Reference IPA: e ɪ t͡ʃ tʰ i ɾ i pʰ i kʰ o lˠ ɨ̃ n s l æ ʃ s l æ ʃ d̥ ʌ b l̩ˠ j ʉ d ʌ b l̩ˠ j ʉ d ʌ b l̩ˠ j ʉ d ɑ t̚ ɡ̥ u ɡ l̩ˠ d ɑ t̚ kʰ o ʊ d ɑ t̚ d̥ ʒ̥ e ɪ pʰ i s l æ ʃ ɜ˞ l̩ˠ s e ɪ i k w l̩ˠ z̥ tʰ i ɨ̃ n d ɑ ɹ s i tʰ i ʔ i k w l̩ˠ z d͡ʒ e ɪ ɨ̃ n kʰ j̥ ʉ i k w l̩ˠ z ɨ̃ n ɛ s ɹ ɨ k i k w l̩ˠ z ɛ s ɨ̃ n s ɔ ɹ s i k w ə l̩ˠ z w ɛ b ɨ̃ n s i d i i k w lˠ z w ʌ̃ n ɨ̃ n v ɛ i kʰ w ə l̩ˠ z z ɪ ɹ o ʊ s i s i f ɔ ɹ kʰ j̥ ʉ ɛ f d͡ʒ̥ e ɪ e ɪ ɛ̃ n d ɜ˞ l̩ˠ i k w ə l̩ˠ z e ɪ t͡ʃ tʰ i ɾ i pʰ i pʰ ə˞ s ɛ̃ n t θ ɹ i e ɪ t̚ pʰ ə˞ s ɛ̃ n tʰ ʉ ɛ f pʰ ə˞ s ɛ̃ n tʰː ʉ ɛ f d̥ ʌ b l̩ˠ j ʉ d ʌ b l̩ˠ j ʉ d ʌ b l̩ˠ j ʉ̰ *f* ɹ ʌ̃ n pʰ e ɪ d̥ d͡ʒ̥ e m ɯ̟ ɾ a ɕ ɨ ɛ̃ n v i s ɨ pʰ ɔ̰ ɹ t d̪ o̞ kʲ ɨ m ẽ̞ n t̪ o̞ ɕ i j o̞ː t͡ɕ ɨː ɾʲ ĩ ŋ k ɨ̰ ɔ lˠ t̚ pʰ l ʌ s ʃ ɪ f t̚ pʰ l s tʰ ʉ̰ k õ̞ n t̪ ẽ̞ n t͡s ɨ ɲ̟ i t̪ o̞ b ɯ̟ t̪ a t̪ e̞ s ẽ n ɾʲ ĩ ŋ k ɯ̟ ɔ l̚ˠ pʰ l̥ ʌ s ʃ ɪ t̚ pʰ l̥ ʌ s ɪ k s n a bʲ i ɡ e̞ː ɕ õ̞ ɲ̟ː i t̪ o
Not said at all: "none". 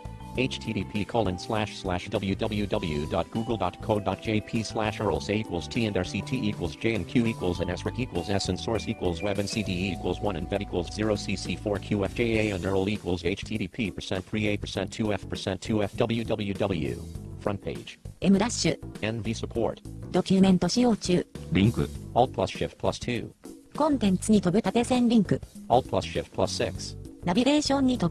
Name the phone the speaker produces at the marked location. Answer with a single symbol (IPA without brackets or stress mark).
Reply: f